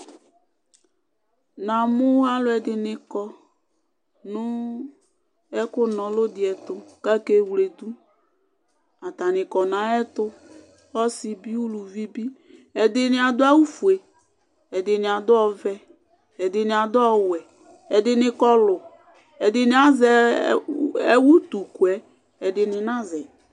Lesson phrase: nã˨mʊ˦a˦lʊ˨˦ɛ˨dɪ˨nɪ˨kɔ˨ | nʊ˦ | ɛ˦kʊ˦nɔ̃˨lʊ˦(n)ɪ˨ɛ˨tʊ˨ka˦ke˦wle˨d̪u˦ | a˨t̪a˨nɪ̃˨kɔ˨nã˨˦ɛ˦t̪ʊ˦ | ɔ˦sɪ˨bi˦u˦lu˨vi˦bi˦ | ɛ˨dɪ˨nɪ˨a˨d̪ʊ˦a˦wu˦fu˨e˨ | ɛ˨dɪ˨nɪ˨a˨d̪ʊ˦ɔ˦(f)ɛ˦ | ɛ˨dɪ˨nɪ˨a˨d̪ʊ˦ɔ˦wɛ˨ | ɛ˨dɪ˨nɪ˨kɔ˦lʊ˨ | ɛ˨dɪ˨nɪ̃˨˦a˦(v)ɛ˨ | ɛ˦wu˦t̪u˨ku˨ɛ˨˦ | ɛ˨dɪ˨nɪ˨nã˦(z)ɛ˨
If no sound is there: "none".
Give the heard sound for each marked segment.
d, v, z, z

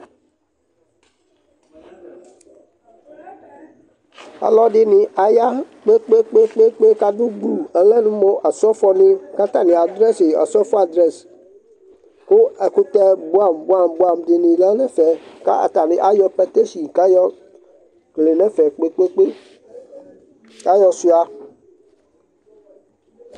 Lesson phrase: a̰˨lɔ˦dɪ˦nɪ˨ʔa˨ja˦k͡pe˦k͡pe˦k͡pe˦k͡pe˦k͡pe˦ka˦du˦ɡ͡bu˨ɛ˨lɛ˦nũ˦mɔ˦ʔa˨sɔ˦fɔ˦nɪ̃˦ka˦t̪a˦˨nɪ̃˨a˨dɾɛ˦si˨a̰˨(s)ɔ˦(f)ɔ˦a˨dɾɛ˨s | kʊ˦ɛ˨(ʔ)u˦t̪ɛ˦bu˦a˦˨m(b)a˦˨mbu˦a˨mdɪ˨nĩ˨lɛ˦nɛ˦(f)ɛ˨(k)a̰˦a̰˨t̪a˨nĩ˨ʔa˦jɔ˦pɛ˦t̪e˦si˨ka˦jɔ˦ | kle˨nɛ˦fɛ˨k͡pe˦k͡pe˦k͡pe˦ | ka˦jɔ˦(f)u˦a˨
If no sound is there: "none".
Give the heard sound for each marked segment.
s, f, k, b, f, k, s

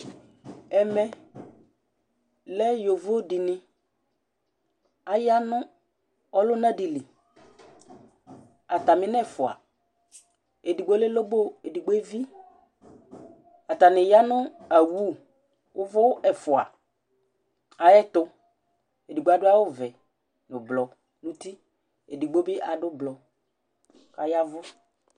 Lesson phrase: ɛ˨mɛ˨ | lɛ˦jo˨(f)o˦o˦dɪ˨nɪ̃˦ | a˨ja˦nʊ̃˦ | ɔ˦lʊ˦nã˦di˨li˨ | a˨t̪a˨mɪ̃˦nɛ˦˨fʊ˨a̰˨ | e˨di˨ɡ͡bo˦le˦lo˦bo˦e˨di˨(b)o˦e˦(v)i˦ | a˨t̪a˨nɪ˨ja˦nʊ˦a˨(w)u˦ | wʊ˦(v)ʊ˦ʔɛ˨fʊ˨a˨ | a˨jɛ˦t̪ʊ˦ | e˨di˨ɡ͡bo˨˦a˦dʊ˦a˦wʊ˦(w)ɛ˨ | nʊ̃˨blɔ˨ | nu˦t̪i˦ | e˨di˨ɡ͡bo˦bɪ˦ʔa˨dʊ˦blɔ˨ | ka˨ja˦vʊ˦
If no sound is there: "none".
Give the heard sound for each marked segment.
v, ɡ͡b, v, w, v, v

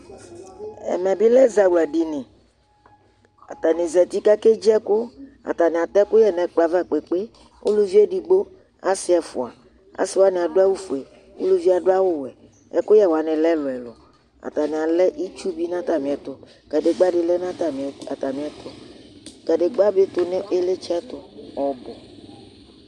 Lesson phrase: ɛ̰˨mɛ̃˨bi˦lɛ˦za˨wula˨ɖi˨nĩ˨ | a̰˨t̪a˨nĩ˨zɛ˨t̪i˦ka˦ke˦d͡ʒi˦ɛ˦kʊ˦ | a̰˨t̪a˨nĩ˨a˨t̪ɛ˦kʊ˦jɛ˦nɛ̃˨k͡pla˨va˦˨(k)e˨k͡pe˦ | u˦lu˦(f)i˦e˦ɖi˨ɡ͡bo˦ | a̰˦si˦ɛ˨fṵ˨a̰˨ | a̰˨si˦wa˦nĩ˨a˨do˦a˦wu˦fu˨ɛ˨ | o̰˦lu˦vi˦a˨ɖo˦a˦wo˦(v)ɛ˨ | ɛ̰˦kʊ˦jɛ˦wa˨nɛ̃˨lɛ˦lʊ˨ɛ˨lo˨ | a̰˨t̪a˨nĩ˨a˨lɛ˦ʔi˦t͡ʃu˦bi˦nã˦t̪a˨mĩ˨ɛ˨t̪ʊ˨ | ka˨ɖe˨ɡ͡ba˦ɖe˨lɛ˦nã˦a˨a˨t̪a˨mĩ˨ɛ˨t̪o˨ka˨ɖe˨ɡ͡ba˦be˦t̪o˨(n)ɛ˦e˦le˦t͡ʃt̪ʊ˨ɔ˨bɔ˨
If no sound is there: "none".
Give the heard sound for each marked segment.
k͡p, v, w, n

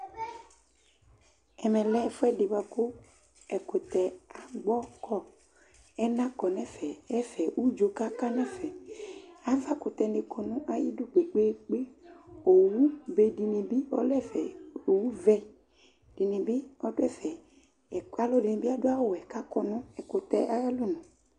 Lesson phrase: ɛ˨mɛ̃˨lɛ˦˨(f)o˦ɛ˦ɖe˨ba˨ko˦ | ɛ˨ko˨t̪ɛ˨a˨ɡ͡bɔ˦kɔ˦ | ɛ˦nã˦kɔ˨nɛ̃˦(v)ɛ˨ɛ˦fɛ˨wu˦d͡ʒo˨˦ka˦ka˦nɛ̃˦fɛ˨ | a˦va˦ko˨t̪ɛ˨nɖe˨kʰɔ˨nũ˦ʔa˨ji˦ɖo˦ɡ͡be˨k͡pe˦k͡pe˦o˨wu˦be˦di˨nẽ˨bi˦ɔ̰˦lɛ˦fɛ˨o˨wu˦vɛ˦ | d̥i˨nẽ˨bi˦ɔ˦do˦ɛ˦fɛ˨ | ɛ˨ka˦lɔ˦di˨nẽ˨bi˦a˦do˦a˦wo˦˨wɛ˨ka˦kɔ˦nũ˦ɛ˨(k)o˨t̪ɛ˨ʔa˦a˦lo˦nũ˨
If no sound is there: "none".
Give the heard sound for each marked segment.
f, f, k

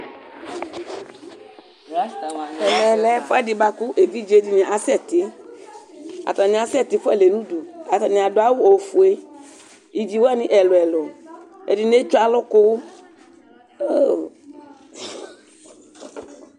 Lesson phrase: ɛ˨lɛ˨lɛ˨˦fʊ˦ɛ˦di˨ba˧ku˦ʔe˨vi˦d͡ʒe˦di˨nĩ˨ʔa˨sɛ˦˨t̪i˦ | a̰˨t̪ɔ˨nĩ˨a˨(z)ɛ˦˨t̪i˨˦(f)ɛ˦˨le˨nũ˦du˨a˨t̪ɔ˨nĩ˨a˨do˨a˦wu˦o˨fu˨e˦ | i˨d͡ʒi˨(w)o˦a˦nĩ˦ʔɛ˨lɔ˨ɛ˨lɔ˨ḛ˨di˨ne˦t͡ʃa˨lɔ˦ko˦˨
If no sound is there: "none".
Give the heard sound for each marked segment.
s, f, w

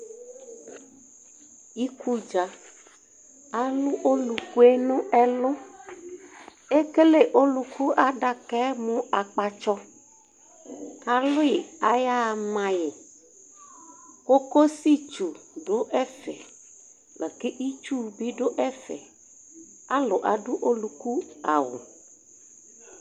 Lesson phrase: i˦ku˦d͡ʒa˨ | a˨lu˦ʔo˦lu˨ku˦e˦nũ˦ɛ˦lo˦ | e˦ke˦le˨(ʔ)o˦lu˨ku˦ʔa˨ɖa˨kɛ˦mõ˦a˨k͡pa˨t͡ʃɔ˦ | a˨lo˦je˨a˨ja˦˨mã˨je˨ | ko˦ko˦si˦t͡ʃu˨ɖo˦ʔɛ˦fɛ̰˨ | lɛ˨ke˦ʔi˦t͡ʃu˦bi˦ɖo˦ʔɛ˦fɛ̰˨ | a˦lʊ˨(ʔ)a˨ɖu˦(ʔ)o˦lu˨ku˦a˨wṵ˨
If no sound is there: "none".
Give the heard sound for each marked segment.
ʔ, ʔ, ʔ

